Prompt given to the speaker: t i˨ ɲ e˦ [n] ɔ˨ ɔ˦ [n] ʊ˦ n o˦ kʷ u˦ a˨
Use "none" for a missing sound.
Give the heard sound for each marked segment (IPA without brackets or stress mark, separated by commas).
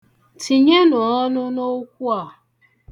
n, n